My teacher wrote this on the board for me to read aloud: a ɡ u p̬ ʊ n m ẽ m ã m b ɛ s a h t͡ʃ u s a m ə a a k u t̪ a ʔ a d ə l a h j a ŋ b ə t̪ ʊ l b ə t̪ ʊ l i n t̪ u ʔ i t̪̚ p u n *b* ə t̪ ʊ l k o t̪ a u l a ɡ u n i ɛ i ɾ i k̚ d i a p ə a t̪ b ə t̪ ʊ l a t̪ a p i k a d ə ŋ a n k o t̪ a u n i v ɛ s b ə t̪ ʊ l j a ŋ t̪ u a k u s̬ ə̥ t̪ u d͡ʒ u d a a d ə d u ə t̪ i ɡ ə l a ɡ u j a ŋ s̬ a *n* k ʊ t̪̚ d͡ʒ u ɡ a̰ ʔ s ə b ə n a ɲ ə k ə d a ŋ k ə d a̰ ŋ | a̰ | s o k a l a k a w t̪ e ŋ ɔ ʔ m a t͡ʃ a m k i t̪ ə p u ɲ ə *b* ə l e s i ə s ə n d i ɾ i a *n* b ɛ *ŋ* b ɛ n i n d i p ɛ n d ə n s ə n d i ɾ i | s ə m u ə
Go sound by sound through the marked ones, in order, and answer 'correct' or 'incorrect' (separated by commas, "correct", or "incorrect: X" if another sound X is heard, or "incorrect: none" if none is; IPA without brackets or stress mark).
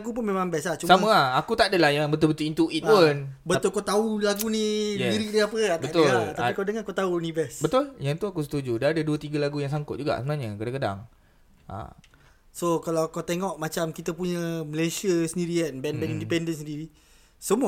correct, incorrect: ŋ, incorrect: m, correct, incorrect: n